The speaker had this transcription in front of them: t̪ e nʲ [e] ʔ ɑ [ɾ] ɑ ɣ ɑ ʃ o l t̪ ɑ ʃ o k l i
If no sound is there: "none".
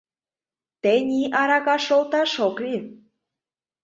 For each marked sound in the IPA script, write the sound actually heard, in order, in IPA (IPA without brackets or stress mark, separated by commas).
i, ɾ